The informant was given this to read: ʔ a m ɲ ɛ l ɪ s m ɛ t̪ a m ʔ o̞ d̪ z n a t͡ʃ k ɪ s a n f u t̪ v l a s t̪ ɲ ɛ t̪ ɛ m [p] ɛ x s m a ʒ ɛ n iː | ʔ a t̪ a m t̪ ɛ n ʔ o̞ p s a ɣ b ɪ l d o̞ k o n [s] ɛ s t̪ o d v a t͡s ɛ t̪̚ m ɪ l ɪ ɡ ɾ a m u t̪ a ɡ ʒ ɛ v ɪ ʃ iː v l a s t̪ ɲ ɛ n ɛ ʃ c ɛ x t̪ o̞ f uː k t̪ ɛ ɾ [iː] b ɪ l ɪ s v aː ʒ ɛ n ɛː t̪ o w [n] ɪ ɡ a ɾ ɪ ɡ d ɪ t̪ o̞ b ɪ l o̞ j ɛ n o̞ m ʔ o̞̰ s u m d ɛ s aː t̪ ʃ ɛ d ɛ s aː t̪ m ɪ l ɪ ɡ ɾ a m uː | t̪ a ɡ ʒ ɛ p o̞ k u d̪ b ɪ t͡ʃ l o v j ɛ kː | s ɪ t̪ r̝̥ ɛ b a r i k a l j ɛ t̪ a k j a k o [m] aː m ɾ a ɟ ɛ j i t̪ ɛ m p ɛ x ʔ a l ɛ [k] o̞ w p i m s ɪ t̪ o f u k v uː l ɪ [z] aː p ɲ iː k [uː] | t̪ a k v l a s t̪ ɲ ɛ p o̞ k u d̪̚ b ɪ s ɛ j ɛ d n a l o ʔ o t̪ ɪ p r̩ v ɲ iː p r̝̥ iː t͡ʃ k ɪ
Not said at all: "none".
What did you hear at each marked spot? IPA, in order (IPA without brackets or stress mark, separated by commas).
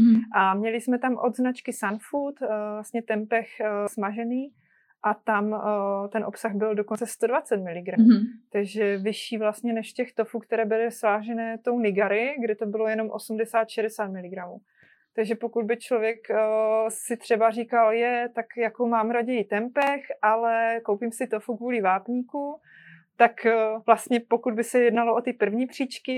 p, t͡s, ɛː, n, m, k, v, u